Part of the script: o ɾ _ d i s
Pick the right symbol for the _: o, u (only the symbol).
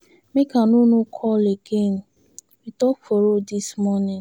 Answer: o